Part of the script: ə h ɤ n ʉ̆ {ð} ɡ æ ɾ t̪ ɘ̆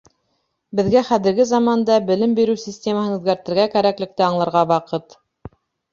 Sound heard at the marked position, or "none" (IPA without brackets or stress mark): ð